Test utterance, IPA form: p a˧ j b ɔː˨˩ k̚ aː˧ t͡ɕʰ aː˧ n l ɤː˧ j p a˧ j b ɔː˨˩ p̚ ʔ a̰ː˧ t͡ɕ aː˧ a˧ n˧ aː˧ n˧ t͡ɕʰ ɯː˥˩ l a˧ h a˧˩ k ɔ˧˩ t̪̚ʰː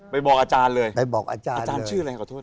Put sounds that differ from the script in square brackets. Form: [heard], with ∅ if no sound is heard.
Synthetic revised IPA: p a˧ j b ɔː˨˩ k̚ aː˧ [t͡ɕ] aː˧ n l ɤː˧ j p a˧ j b ɔː˨˩ [k̚] ʔ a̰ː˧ t͡ɕ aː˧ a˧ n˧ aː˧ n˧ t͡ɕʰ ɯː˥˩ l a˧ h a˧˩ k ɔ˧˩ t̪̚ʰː